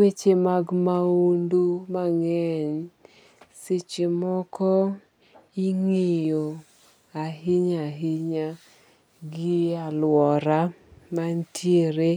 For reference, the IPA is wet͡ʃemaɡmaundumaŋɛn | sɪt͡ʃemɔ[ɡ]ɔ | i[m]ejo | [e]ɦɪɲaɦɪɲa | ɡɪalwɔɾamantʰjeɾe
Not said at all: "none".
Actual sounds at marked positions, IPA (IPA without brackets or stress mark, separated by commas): k, ŋ, a